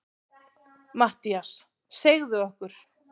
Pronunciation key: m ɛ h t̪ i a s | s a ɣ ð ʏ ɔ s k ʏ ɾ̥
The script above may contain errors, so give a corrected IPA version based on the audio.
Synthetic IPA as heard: m a h t̪ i a s | s e ɣ ð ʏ ɔ h k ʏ ɾ̥